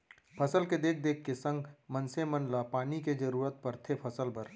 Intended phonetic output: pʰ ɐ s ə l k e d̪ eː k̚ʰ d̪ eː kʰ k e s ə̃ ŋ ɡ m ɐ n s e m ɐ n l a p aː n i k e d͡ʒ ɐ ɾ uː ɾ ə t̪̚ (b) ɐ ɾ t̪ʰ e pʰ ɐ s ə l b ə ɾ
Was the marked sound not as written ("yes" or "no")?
yes